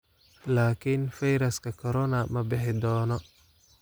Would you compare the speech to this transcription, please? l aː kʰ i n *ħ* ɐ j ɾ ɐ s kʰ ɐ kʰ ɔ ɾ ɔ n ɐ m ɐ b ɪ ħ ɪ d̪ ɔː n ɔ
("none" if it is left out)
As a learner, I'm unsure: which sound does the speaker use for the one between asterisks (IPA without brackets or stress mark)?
f